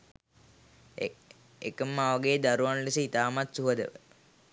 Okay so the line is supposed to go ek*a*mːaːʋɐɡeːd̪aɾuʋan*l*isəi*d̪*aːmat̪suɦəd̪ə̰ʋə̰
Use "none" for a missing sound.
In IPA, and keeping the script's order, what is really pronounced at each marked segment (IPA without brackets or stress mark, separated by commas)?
ə, l, t̪